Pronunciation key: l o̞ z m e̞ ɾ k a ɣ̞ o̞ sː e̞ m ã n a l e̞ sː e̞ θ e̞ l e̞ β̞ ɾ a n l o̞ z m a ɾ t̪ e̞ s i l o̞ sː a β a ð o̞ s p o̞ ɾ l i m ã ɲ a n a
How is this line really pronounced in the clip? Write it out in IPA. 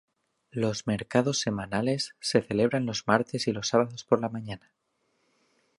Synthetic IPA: l o̞ z m e̞ ɾ k a ð̞ o̞ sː e̞ m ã n a l e̞ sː e̞ θ e̞ l e̞ β̞ ɾ a n l o̞ z m a ɾ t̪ e̞ s i l o̞ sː a β a ð o̞ s p o̞ ɾ l a m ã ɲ a n a